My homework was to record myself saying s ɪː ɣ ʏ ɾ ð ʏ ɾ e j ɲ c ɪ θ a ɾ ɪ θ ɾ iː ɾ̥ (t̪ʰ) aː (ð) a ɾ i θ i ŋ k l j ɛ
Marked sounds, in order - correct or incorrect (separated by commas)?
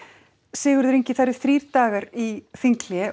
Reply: incorrect, incorrect